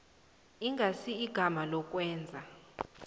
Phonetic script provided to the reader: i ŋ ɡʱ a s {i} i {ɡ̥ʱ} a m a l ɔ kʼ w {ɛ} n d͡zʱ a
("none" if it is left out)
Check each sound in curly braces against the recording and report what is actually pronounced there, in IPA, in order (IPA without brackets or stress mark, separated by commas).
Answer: i, ɡ̥ʱ, ɛː